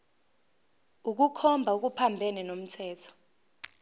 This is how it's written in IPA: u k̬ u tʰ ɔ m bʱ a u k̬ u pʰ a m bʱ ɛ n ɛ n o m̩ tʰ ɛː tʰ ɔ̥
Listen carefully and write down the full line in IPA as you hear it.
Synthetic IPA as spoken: u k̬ u kʰ ɔ m bʱ a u k̬ u pʰ a m bʱ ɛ n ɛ n o m̩ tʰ ɛː tʰ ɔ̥